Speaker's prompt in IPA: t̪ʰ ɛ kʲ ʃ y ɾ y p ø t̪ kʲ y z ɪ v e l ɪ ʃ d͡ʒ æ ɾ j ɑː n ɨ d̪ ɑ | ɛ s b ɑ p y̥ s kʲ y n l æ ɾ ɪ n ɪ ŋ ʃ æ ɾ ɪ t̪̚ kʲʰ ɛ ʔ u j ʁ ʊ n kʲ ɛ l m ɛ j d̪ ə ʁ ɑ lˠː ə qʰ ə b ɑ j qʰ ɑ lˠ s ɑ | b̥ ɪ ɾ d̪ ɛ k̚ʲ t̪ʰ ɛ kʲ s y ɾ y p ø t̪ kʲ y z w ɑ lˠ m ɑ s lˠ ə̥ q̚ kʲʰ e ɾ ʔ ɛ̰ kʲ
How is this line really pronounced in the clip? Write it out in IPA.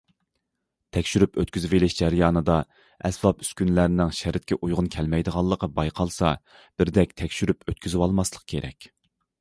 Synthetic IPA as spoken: t̪ʰ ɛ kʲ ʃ y ɾ y p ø t̪ kʲ y z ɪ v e l ɪ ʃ d͡ʒ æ ɾ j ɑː n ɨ d̪ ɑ | ɛ s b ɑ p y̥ s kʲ y n l æ ɾ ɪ n ɪ ŋ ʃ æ ɾ ɪ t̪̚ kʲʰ ɛ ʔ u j ʁ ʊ n kʲʰ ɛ l m ɛ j d̪ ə ʁ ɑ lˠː ə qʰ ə b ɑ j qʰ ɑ lˠ s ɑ | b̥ ɪ ɾ d̪ ɛ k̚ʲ t̪ʰ ɛ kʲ ʃ y ɾ y p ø t̪ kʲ y z w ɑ lˠ m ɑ s lˠ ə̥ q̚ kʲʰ e ɾ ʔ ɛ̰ kʲ